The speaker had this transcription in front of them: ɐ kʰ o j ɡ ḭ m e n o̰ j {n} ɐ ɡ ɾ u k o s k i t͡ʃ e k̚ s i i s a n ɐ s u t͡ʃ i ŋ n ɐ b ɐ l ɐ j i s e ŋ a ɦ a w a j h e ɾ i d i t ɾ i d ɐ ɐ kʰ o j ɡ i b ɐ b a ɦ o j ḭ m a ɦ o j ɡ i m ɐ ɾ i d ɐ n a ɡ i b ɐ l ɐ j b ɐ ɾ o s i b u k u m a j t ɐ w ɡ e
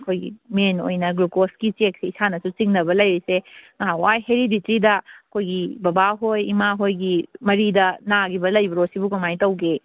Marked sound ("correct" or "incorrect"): correct